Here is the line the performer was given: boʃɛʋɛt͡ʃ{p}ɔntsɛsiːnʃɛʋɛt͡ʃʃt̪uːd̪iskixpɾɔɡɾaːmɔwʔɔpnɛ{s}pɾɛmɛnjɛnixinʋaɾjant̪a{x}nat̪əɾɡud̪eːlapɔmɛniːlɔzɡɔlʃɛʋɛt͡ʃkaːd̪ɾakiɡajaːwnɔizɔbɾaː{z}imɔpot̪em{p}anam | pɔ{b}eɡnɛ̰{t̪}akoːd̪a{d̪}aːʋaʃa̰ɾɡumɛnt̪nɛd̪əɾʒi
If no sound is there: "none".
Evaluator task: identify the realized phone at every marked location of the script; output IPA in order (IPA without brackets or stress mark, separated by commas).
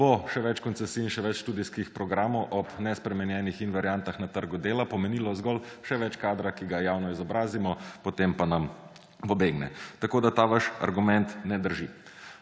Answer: k, s, x, z, p, b, t̪, t̪